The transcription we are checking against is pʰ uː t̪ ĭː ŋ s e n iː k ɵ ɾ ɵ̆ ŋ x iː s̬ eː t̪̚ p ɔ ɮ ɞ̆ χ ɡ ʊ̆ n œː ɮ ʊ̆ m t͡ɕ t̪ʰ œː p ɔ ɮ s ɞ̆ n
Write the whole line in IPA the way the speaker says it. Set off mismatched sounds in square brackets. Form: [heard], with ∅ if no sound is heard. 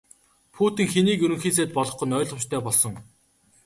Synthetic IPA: pʰ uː t̪ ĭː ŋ [x] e n iː k ɵ ɾ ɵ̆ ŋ x iː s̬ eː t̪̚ p ɔ ɮ ɞ̆ χ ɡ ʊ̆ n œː ɮ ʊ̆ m t͡ɕ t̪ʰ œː p ɔ ɮ s ɞ̆ [ŋ]